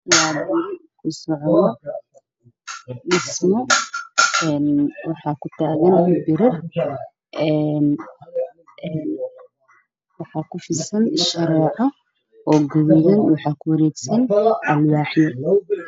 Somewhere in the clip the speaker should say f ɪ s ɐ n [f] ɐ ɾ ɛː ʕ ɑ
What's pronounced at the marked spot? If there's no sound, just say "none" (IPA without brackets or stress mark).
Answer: ʃ